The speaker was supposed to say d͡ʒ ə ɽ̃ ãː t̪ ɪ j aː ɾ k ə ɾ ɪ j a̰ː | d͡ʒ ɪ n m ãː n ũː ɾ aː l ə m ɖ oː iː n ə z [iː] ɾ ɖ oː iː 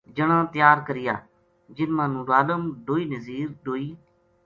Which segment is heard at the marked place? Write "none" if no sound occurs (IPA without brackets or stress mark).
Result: iː